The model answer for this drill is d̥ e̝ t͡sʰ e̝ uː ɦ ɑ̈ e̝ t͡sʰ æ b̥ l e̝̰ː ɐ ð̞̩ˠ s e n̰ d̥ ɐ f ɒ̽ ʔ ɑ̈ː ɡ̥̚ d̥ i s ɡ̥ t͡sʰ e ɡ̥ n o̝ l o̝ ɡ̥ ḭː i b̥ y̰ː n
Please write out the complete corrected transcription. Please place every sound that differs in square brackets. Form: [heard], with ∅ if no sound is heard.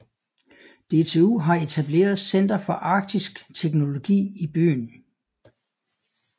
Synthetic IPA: d̥ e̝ t͡sʰ e̝ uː ɦ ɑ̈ e̝ t͡sʰ æ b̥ l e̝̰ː ɐ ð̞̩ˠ s e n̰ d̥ ɐ f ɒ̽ ʔ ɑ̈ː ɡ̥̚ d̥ i s ɡ̥ t͡sʰ e ɡ̥ n o̝ l o̝ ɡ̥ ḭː i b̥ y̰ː n